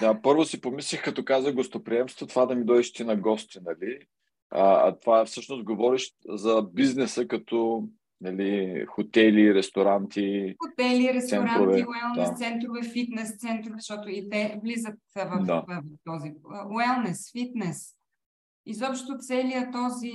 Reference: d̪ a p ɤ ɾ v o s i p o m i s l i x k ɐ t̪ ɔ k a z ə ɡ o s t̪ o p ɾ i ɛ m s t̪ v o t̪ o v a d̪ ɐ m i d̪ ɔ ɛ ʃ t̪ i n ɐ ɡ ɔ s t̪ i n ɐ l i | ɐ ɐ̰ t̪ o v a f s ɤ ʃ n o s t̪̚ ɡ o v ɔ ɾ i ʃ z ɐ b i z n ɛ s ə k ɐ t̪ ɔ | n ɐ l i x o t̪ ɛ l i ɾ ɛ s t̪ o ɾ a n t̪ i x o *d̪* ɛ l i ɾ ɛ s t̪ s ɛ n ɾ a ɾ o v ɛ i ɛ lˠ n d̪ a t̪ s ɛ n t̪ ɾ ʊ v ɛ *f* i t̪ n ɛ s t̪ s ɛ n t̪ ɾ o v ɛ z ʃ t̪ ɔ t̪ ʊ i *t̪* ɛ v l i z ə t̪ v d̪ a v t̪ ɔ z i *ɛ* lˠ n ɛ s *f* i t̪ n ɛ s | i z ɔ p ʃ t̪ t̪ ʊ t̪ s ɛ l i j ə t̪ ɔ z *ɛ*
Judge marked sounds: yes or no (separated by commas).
no, yes, yes, yes, yes, no